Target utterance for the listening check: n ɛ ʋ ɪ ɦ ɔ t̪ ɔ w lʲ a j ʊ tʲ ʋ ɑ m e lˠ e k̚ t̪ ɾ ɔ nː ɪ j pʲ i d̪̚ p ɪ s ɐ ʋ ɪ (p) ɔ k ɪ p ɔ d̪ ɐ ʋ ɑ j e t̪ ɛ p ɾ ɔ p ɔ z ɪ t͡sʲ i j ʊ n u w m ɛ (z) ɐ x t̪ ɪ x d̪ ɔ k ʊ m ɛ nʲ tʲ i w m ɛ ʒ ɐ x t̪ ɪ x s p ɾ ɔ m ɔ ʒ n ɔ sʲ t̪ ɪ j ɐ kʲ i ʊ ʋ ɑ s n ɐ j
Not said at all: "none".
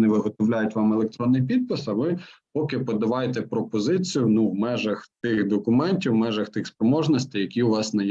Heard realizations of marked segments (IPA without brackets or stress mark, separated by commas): p, ʒ